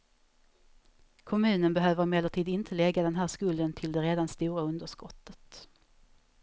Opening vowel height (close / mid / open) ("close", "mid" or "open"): mid